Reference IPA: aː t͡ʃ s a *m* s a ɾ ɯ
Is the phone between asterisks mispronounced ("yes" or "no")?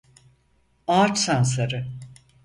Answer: yes